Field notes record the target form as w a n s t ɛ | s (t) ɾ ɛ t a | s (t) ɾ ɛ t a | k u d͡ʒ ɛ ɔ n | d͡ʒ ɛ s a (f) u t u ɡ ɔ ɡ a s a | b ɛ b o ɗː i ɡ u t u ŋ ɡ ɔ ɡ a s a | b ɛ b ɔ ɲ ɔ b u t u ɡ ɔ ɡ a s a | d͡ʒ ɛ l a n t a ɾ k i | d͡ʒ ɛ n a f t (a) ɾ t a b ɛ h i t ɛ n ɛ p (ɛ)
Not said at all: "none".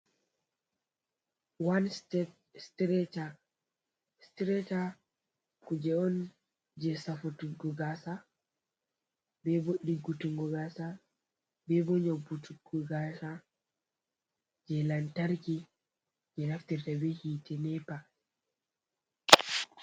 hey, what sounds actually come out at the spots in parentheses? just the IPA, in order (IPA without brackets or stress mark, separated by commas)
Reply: t, t, f, i, a